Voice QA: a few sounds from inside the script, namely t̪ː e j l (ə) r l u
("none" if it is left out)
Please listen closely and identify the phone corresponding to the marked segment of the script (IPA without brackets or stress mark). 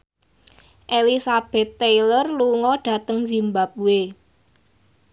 ə